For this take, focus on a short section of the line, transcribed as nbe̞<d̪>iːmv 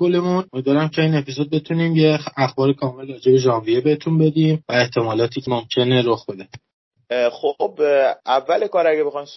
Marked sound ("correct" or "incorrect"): correct